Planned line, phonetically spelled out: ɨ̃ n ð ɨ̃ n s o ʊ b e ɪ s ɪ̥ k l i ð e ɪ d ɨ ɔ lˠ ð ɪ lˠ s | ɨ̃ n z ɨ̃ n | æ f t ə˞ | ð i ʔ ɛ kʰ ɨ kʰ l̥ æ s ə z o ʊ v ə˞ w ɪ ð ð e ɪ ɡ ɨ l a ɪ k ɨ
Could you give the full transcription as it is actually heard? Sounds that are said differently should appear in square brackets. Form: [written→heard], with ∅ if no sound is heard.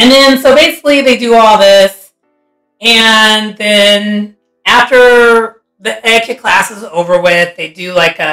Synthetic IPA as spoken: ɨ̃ n ð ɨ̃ n s o ʊ b e ɪ s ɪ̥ k l i ð e ɪ d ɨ ɔ lˠ ð ɪ [lˠ→∅] s | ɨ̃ n [z→ð] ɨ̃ n | æ f t ə˞ | ð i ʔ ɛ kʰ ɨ kʰ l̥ æ s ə z o ʊ v ə˞ w ɪ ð ð e ɪ [ɡ→d] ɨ l a ɪ k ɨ